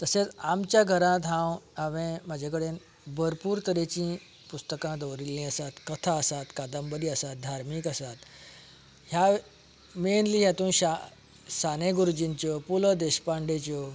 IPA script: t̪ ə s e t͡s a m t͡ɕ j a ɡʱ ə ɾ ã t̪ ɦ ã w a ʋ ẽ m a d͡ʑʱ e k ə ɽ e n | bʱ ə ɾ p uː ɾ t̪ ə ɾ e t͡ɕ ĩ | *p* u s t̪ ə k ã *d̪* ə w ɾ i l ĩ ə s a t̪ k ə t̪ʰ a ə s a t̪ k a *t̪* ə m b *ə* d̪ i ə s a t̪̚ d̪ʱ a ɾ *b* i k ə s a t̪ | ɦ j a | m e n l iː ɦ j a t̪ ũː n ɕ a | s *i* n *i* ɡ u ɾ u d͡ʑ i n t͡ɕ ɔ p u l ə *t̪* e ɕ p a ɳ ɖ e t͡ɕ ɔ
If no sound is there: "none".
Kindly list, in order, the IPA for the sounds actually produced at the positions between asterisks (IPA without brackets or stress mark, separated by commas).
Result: p, d̪, d̪, ə, m, a, e, d̪